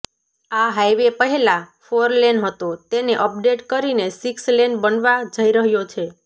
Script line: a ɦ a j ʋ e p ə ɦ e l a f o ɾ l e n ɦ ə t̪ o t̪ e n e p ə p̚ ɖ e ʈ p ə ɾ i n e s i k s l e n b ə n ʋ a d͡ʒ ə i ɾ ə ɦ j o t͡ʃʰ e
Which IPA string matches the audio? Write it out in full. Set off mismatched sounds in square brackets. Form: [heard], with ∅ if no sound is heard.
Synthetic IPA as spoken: a ɦ a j ʋ e p ə ɦ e l a f o ɾ l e n ɦ ə t̪ o t̪ e n e [ʔ] ə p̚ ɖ e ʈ [k] ə ɾ i n e s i k s l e n b ə n ʋ a d͡ʒ ə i ɾ ə ɦ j o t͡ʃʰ e